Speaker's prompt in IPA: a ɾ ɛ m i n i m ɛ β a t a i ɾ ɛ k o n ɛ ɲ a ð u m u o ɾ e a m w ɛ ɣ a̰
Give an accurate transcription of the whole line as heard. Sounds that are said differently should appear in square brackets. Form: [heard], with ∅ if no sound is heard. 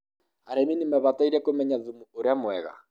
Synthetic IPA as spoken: a ɾ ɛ m i n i m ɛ β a t a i ɾ ɛ k o [m] ɛ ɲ a ð u m u o ɾ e a m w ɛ ɣ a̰